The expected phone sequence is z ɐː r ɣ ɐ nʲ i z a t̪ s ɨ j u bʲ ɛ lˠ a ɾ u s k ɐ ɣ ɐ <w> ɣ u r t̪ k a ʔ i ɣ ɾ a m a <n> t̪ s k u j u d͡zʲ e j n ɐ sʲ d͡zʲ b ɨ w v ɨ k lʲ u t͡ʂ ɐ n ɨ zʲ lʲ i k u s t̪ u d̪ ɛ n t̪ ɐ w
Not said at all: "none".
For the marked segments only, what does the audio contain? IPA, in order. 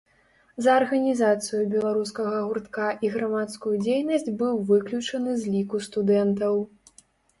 none, none

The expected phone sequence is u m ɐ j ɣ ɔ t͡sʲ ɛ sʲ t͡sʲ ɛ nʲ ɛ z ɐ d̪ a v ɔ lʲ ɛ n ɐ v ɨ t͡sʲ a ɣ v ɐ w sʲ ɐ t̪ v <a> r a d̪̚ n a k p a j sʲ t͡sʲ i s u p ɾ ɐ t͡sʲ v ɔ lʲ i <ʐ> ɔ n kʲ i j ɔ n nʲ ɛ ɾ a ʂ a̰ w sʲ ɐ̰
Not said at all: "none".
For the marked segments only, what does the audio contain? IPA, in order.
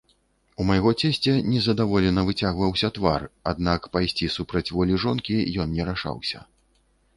a, ʐ

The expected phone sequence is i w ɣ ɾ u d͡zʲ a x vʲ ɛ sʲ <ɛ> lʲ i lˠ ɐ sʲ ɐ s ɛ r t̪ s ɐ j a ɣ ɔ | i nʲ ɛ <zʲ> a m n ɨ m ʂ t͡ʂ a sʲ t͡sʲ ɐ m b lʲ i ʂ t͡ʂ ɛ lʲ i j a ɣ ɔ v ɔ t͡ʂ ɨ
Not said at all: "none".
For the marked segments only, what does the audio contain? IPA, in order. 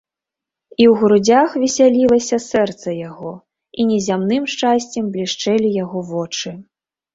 a, zʲ

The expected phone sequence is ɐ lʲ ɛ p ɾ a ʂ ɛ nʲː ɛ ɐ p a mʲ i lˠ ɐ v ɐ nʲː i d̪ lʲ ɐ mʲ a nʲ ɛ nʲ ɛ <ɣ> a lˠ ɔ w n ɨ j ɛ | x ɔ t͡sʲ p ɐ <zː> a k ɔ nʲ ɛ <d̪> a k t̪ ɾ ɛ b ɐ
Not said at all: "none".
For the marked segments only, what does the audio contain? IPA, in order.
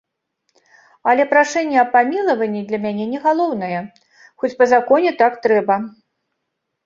ɣ, z, t̪

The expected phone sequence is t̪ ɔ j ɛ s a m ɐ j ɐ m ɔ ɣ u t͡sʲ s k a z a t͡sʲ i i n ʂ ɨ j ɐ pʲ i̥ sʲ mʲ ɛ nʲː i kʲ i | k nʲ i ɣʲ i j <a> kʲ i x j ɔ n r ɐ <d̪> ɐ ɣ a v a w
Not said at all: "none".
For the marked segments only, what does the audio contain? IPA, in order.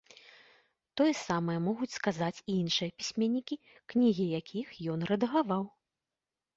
a, d̪

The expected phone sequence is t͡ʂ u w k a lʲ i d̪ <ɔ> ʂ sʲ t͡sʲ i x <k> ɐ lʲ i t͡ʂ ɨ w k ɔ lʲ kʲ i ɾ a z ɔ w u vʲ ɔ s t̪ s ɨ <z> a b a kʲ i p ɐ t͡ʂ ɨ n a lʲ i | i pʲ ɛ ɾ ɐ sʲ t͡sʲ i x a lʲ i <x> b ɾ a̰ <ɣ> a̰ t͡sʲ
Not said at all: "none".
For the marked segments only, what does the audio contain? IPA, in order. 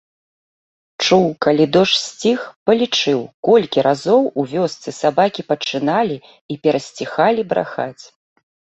ɔ, p, s, none, x

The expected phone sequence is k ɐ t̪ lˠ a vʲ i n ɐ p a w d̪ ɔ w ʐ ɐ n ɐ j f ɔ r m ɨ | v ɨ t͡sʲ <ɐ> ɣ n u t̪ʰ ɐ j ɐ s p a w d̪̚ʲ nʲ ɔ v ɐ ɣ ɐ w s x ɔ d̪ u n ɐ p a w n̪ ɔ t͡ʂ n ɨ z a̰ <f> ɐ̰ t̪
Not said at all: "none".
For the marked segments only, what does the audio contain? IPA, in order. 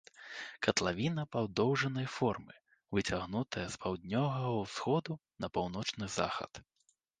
a, x

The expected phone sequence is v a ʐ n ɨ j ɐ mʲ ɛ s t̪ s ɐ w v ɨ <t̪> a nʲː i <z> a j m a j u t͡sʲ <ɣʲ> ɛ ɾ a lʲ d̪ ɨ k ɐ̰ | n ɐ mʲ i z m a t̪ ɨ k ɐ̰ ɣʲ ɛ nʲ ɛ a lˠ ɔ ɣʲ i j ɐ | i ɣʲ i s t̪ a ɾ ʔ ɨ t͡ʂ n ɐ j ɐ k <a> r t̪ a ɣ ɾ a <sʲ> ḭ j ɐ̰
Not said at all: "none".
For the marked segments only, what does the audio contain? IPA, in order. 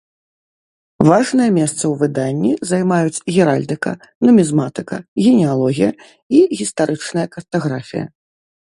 d̪, z, ɣʲ, ɐ, fʲ

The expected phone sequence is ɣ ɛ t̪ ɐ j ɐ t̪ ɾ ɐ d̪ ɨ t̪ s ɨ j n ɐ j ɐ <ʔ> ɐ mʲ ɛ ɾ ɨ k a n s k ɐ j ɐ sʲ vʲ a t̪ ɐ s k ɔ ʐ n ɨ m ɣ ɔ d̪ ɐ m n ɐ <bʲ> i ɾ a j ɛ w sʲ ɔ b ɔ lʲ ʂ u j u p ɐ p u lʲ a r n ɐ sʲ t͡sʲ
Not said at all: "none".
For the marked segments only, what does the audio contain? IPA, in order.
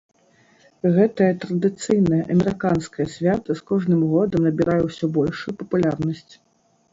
ʔ, bʲ

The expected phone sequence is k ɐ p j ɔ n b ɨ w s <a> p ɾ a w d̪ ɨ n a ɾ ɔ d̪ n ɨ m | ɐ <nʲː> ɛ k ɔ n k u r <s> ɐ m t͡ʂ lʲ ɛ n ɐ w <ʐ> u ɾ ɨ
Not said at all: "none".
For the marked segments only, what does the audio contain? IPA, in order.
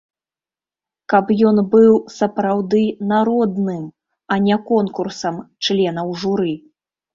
ɐ, nʲ, s, ʐ

